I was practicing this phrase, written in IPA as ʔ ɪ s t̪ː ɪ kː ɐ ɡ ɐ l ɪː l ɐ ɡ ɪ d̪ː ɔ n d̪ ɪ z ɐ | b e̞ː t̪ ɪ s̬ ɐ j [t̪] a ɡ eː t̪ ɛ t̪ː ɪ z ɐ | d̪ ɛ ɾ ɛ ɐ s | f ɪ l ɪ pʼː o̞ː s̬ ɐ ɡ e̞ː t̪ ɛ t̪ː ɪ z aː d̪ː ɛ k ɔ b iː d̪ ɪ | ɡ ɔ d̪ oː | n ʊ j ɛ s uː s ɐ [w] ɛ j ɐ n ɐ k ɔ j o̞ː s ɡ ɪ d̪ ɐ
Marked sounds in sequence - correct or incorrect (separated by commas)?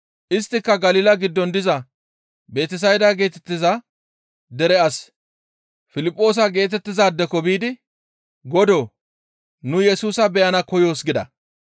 incorrect, incorrect